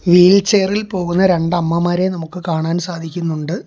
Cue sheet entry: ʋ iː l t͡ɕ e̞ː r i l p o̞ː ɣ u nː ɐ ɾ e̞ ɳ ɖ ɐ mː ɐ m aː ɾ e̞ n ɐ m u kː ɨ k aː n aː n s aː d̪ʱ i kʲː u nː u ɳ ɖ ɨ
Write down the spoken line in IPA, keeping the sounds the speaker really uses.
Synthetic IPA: ʋ iː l t͡ɕ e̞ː r i l p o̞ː ɣ u nː ɐ ɾ e̞ ɳ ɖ ɐ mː ɐ m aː ɾ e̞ n ɐ m u kː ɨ k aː ɳ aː n s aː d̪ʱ i kʲː u nː u ɳ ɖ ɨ